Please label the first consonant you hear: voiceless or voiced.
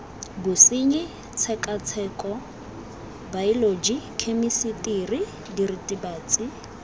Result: voiced